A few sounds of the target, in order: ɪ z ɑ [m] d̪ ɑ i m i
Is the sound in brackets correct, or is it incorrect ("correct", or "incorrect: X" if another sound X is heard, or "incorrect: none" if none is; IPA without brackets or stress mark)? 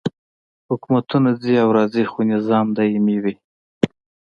correct